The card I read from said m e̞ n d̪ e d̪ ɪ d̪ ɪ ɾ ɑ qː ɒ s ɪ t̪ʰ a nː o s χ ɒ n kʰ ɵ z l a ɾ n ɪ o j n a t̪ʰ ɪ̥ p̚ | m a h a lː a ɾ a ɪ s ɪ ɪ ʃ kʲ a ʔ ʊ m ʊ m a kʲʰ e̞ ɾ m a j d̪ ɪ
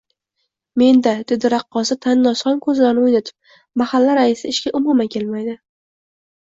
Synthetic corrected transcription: m e̞ n d̪ a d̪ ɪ d̪ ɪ ɾ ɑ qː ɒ s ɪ t̪ʰ a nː ɒ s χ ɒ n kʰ ɵ z l a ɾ n ɪ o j n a t̪ʰ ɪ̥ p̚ | m a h a lː a ɾ a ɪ s ɪ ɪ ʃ kʲ a ʔ ʊ m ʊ m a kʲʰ e̞ l m a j d̪ ɪ

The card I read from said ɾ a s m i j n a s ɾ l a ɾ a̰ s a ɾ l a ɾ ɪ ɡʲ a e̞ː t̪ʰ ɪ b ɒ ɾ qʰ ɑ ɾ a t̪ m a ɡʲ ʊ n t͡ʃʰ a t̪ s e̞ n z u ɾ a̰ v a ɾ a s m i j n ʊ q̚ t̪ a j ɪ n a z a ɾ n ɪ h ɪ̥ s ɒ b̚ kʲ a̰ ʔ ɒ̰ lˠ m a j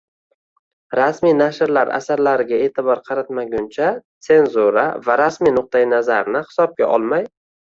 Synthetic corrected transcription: ɾ a s m i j n a ʃ ɾ l a ɾ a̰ s a ɾ l a ɾ ɪ ɡʲ a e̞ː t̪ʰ ɪ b ɒ ɾ qʰ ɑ ɾ a t̪ m a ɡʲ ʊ n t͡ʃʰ a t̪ s e̞ n z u ɾ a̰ v a ɾ a s m i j n ʊ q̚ t̪ a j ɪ n a z a ɾ n ɪ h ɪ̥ s ɒ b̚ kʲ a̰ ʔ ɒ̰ lˠ m a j

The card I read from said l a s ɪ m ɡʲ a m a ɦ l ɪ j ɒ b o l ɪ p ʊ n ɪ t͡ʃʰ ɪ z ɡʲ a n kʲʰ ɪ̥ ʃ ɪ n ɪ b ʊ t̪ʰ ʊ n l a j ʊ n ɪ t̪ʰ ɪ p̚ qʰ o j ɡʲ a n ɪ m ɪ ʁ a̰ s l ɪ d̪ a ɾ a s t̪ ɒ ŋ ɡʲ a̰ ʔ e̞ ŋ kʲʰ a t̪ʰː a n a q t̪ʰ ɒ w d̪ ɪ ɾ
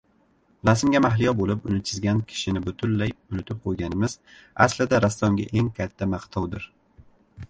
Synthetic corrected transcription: l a s ɪ m ɡʲ a m a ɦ l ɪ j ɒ b o l ɪ p ʊ n ɪ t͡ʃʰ ɪ z ɡʲ a n kʲʰ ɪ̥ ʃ ɪ n ɪ b ʊ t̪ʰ ʊ n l a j ʊ n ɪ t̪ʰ ɪ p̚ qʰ o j ɡʲ a n ɪ m ɪ z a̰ s l ɪ d̪ a ɾ a s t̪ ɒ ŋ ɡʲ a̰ ʔ e̞ ŋ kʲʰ a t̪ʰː a m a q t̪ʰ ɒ w d̪ ɪ ɾ

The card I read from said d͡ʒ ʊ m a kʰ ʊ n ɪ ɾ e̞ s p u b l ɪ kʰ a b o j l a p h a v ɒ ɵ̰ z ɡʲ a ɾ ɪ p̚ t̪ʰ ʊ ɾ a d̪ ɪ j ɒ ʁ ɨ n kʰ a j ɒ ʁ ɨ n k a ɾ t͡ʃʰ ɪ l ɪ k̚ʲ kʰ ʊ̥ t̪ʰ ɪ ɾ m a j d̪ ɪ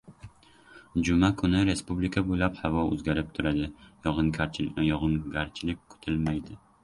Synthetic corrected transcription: d͡ʒ ʊ m a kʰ ʊ n ɪ ɾ e̞ s p u b l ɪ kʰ a b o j l a p h a v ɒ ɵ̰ z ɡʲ a ɾ ɪ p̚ t̪ʰ ʊ ɾ a d̪ ɪ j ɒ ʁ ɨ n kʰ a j ɒ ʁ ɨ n ɡ a ɾ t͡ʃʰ ɪ l ɪ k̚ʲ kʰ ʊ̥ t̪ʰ ɪ l m a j d̪ ɪ

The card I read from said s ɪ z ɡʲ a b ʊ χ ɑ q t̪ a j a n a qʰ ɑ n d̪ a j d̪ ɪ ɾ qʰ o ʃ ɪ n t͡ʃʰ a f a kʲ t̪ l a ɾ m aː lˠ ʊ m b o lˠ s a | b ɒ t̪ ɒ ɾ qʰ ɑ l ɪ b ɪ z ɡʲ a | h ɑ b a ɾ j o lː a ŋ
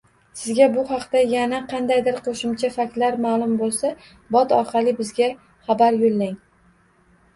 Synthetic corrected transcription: s ɪ z ɡʲ a b ʊ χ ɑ q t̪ a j a n a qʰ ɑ n d̪ a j d̪ ɪ ɾ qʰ o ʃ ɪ m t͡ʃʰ a f a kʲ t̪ l a ɾ m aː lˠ ʊ m b o lˠ s a | b ɒ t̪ ɒ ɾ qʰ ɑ l ɪ b ɪ z ɡʲ a | χ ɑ b a ɾ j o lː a ŋ

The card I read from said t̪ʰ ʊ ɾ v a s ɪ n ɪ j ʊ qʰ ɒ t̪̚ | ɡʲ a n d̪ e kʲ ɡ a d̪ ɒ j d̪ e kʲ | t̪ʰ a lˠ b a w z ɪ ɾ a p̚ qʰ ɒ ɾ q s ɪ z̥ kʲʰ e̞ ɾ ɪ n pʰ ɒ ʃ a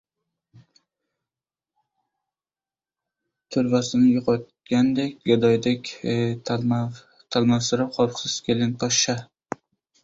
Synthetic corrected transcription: t̪ʰ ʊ ɾ v a s ɪ n ɪ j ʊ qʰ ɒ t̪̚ | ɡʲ a n d̪ e kʲ ɡ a d̪ ɒ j d̪ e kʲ | t̪ʰ a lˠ m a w s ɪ ɾ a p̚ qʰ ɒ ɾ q s ɪ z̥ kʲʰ e̞ l ɪ n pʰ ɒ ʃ a

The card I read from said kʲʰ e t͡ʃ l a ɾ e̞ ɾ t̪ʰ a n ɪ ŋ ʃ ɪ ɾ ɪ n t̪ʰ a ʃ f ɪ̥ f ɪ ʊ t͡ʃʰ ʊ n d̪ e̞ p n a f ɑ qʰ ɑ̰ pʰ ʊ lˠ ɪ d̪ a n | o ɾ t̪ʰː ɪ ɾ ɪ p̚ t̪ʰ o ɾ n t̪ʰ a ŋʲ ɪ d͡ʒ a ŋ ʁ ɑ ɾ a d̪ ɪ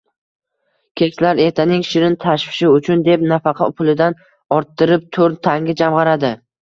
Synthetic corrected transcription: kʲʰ e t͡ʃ l a ɾ e̞ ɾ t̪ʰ a n ɪ ŋ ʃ ɪ ɾ ɪ n t̪ʰ a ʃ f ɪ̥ ʃ ɪ ʊ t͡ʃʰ ʊ n d̪ e̞ p n a f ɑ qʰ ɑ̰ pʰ ʊ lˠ ɪ d̪ a n | ɒ ɾ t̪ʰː ɪ ɾ ɪ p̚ t̪ʰ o ɾ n t̪ʰ a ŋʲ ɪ d͡ʒ a m ʁ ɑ ɾ a d̪ ɪ

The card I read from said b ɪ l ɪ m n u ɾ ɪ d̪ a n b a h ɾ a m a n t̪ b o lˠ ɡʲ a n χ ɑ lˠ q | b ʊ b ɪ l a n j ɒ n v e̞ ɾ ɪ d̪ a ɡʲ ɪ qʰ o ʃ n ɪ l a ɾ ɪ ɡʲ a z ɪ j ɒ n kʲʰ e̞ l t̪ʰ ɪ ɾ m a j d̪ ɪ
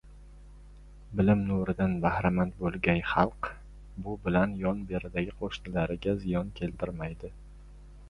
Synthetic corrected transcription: b ɪ l ɪ m n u ɾ ɪ d̪ a n b a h ɾ a m a n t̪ b o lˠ ɡʲ a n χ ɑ lˠ q | b ʊ b ɪ l a n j ɒ n b e̞ ɾ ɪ d̪ a ɡʲ ɪ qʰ o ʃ n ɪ l a ɾ ɪ ɡʲ a z ɪ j ɒ n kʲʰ e̞ l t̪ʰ ɪ ɾ m a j d̪ ɪ

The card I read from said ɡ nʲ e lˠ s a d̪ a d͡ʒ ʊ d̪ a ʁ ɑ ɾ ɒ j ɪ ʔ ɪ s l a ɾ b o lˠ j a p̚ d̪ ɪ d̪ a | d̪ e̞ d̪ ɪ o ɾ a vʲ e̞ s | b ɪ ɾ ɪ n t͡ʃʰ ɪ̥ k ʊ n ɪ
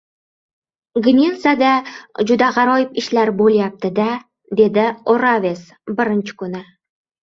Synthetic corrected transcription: ɡ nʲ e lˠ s a d̪ a d͡ʒ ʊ d̪ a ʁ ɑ ɾ ɒ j ɪ p ɪ ʃ l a ɾ b o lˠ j a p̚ t̪ ɪ d̪ a | d̪ e̞ d̪ ɪ o ɾ a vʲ e̞ s | b ɪ ɾ ɪ n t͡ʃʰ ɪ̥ k ʊ n ɪ

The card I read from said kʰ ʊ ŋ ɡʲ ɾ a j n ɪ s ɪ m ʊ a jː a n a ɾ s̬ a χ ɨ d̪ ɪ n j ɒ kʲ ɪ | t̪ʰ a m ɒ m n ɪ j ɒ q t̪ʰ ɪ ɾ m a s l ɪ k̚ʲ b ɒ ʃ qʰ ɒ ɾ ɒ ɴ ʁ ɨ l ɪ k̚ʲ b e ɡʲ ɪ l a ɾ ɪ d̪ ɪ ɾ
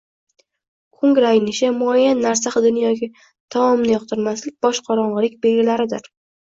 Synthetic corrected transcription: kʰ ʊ ŋ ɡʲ ɾ a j n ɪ ʃ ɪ m ʊ a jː a nː a ɾ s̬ a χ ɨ d̪ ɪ n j ɒ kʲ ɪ | t̪ʰ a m ɒ m n ɪ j ɒ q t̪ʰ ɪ ɾ m a s l ɪ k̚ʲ b ɒ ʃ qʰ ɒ ɾ ɒ ɴ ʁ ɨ l ɪ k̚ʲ b e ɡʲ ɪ l a ɾ ɪ d̪ ɪ ɾ

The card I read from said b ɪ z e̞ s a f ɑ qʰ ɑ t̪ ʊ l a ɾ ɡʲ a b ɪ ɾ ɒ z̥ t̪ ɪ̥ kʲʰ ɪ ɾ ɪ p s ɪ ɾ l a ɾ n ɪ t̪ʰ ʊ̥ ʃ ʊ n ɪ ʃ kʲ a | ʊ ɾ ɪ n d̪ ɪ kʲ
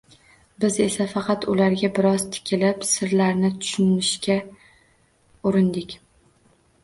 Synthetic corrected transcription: b ɪ z e̞ s a f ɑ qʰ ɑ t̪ ʊ l a ɾ ɡʲ a b ɪ ɾ ɒ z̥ t̪ʰ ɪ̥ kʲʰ ɪ l ɪ p s ɪ ɾ l a ɾ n ɪ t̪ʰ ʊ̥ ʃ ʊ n ɪ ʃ kʲ a | ʊ ɾ ɪ n d̪ ɪ kʲ

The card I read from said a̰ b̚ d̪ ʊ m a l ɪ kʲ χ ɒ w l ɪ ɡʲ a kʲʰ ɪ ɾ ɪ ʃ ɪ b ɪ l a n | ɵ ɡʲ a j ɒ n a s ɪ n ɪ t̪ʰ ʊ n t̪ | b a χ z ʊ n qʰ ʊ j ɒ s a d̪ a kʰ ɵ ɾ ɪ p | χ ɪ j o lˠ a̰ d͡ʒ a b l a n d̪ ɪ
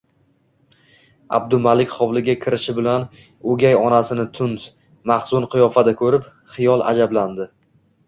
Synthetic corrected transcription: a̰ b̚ d̪ ʊ m a l ɪ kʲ χ ɒ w l ɪ ɡʲ a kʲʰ ɪ ɾ ɪ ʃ ɪ b ɪ l a n | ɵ ɡʲ a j ɒ n a s ɪ n ɪ t̪ʰ ʊ n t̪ | m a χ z ʊ n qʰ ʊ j ɒ f a d̪ a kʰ ɵ ɾ ɪ p | χ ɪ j ɒ lˠ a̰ d͡ʒ a b l a n d̪ ɪ

